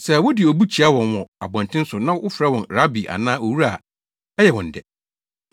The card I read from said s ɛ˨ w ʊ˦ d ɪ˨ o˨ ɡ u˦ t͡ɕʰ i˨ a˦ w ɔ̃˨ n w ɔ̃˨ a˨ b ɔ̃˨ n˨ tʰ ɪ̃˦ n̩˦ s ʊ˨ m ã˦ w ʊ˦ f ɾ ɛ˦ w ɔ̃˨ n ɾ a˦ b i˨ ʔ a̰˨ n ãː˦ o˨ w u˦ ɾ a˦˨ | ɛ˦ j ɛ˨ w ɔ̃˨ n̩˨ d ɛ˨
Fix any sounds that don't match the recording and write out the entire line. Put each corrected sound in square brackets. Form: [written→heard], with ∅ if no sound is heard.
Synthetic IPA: s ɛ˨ w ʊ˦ d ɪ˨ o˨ [ɡ→b] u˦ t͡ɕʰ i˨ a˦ w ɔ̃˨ n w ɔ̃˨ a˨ b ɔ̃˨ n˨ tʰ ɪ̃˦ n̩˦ s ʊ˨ [m→n] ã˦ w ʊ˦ f ɾ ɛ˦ w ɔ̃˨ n ɾ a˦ b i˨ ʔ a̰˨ n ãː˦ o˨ w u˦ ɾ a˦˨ | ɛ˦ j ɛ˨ w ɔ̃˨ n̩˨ d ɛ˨

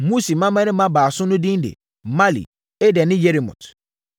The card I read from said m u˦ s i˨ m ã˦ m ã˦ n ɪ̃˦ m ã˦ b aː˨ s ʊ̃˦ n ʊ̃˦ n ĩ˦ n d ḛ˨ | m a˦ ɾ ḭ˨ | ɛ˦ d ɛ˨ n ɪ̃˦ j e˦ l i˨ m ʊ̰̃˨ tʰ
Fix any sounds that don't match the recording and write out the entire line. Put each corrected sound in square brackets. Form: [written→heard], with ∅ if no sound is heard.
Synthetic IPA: m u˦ s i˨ m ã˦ m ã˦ n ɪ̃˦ m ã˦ b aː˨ s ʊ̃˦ n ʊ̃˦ [n→d] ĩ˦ n d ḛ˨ | m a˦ [ɾ→l] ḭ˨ | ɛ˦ d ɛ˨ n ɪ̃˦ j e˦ [l→ɾ] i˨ m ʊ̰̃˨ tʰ

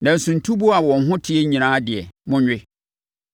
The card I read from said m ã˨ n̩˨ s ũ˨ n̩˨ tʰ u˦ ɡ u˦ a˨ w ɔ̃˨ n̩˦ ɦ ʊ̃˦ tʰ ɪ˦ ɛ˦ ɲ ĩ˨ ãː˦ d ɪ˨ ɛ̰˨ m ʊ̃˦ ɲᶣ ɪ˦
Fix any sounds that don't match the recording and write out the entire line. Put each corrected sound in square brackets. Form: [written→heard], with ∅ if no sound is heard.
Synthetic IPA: [m→n] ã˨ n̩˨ s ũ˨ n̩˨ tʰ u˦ [ɡ→b] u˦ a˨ w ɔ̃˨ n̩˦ ɦ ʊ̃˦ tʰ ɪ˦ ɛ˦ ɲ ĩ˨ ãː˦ d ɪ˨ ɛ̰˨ m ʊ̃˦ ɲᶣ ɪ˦

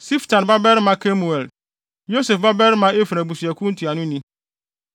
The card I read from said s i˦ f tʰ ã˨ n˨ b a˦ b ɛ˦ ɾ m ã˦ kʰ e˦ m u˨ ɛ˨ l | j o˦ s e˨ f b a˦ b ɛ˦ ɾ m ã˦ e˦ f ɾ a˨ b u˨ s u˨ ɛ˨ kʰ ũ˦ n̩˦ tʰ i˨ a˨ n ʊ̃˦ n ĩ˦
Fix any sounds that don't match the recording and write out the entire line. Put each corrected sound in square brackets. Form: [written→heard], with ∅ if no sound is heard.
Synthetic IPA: s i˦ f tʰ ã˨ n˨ b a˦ b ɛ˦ ɾ m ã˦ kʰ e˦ m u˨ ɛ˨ l | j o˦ s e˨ f b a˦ b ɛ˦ ɾ m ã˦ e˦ f ɾ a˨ b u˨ s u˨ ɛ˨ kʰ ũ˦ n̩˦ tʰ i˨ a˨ n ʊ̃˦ n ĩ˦

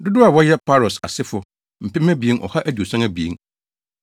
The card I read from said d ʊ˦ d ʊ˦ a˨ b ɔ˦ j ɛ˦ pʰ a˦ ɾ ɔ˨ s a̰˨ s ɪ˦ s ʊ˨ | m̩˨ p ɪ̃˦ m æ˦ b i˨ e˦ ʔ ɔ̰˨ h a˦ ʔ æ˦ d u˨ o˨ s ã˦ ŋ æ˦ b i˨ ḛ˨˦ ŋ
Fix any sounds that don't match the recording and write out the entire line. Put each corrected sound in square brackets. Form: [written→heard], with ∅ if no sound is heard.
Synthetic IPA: d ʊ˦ d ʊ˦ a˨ [b→w] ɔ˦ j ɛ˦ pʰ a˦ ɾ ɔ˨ s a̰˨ s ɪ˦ [s→f] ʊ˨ | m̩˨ p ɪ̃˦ m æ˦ b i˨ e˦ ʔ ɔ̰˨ h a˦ ʔ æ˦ d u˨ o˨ s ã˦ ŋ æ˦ b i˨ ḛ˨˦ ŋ

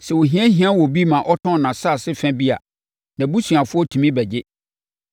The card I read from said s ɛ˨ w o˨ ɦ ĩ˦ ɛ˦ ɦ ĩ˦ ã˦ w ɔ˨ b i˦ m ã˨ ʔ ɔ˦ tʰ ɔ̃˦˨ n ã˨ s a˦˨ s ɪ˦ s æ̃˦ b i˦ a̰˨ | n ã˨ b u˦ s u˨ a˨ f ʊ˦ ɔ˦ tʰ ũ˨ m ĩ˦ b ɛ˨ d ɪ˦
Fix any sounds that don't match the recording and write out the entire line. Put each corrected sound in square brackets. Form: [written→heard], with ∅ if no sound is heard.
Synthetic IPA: s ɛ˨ w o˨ ɦ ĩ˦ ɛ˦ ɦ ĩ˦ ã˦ w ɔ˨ b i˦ m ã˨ ʔ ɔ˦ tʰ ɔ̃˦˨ n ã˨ s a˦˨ s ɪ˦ [s→f] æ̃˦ b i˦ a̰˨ | n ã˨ b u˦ s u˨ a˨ f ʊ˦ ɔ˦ tʰ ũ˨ m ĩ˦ b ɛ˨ [d→d͡ʑ] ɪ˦

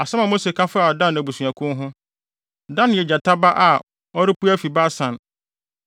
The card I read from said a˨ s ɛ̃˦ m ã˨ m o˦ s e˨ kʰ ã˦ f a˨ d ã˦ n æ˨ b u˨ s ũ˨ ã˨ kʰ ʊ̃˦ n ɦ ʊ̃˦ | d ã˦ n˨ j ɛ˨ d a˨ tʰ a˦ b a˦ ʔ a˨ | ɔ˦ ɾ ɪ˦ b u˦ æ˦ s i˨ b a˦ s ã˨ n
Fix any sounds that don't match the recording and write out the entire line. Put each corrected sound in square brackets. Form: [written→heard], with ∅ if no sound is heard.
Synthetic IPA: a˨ s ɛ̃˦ m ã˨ m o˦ s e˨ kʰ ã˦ f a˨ d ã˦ n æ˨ b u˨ s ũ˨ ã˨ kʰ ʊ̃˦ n ɦ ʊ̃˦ | d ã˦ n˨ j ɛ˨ [d→d͡ʑ] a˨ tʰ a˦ b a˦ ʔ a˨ | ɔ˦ ɾ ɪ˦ [b→p] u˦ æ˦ [s→f] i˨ b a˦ s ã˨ n

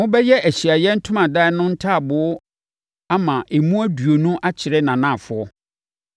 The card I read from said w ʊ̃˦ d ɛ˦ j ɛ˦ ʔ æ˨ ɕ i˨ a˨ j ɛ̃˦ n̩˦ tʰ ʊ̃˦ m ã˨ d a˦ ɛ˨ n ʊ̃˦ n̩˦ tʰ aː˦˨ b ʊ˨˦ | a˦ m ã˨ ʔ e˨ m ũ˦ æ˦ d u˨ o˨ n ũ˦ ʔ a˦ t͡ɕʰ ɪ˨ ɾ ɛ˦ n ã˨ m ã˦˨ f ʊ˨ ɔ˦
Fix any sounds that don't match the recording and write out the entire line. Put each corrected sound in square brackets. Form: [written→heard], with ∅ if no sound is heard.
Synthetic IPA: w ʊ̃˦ [d→b] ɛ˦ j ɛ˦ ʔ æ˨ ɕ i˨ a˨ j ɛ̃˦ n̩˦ tʰ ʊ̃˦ m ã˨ d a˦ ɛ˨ n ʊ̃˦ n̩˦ tʰ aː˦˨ b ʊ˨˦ | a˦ m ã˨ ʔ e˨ m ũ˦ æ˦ d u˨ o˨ n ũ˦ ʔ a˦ t͡ɕʰ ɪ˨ ɾ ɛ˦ n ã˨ [m→n] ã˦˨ f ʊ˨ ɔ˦

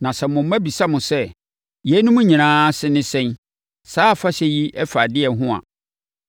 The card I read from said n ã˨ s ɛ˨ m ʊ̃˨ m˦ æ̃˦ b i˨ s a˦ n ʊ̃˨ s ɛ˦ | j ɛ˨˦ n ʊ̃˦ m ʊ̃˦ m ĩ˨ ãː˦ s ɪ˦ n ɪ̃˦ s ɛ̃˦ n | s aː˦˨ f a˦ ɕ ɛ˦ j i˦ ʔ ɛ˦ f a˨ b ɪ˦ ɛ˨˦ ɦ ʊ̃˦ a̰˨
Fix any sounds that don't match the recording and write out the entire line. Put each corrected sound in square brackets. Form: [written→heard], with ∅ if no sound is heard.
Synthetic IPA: n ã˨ s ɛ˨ m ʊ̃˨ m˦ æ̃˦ b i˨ s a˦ [n→m] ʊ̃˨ s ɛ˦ | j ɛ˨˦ n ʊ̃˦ m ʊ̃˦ [m→ɲ] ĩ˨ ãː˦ s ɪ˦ n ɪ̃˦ s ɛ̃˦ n | s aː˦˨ f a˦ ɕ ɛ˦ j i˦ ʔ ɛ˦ f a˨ [b→d] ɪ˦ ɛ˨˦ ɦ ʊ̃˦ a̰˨

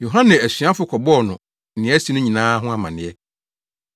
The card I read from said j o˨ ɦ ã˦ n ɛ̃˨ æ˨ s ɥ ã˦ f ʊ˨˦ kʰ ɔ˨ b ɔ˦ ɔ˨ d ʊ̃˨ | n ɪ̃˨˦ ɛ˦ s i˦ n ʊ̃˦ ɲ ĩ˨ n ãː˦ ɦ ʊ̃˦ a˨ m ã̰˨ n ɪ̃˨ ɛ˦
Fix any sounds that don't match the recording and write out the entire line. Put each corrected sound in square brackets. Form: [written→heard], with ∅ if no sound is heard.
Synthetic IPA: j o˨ ɦ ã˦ n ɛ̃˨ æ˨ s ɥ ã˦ f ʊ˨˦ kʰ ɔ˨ b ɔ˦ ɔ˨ [d→n] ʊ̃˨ | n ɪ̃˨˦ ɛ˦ s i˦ n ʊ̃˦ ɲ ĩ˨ n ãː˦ ɦ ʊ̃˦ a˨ m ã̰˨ n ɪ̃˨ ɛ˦

